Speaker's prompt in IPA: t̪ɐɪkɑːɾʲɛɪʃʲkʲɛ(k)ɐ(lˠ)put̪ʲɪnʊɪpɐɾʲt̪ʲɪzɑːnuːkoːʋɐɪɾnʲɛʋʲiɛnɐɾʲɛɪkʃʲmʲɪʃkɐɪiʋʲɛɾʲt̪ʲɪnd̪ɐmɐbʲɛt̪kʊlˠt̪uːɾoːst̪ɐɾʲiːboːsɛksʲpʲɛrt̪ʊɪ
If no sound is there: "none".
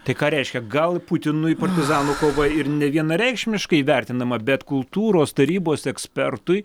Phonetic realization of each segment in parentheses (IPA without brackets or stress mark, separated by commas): ɡ, lˠ